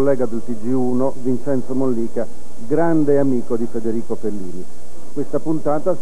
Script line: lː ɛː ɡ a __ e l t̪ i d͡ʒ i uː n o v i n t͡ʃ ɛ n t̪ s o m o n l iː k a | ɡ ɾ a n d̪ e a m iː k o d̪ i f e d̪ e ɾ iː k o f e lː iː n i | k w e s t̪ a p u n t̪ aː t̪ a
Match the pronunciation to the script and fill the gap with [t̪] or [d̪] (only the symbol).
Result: d̪